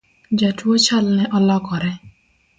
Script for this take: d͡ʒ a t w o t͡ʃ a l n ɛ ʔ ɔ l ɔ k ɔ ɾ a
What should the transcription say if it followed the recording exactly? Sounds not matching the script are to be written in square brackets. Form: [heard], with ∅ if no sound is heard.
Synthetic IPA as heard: d͡ʒ a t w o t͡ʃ a l n ɛ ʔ ɔ l ɔ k ɔ ɾ [ɛ]